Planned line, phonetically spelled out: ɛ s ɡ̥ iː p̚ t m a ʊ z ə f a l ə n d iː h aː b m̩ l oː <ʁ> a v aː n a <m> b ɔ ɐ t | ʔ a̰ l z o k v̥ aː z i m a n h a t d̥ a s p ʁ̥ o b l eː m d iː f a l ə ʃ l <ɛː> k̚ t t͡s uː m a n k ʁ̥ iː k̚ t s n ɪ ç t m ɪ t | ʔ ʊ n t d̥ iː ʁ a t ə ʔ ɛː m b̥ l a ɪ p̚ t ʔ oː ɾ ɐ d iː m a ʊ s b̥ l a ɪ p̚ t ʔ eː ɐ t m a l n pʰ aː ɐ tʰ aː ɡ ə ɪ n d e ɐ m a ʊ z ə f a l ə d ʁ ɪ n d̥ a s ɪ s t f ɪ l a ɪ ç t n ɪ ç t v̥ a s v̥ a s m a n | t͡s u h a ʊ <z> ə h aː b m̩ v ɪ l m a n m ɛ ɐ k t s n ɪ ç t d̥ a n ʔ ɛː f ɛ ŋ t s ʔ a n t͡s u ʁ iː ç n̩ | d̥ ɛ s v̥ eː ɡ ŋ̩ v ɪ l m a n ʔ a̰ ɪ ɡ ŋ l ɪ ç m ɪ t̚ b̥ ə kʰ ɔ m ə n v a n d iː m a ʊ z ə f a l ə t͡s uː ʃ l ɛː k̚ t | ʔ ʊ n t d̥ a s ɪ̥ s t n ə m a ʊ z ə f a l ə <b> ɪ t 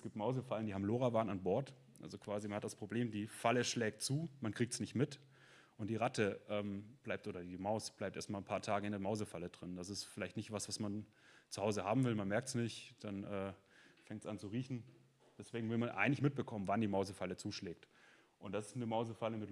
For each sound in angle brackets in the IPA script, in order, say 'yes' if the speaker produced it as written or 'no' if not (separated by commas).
yes, no, yes, yes, no